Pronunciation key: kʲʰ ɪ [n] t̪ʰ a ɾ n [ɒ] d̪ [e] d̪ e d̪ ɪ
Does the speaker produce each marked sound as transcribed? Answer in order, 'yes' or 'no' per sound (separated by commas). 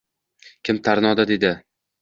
no, yes, no